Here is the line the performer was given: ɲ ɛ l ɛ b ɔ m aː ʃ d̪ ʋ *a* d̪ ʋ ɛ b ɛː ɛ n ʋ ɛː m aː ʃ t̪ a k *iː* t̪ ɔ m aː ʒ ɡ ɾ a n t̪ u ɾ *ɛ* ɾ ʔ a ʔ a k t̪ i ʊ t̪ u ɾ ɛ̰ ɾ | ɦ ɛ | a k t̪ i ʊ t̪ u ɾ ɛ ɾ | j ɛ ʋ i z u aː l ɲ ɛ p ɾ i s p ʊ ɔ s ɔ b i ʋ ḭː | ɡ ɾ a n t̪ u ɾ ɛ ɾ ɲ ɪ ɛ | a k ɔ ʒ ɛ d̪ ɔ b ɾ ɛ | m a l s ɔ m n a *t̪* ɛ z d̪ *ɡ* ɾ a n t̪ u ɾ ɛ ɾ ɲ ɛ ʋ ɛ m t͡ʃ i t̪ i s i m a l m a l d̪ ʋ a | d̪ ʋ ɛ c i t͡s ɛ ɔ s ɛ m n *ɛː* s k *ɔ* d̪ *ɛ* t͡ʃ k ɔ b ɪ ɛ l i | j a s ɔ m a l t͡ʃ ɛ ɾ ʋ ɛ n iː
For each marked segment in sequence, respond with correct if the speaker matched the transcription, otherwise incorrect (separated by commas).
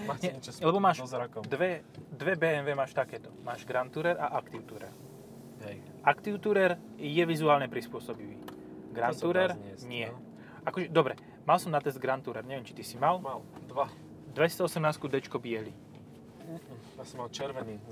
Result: incorrect, incorrect, correct, correct, correct, incorrect, incorrect, correct